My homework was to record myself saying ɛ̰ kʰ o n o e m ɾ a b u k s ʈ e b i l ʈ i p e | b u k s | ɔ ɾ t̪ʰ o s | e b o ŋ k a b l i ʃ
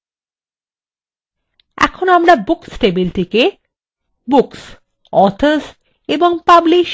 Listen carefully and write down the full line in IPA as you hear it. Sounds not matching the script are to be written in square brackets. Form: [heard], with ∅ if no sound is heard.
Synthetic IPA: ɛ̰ kʰ o n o [a] m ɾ a b u k s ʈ e b i l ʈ i [k] e | b u k s | ɔ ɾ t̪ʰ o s | e b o ŋ [p] a b l i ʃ